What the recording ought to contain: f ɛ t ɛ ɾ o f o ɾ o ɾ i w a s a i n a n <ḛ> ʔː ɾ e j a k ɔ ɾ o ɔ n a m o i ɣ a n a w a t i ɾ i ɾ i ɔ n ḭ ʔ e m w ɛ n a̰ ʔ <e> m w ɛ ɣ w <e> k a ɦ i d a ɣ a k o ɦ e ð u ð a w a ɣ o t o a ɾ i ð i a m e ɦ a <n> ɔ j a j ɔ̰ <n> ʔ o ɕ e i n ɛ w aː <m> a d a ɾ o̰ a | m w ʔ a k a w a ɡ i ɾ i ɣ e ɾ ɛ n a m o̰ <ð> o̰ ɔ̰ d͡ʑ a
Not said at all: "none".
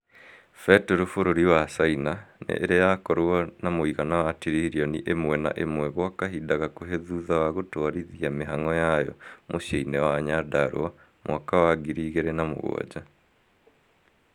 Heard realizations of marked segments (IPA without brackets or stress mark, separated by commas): ḛ, e, a, ŋ, m, ɲ, ɣ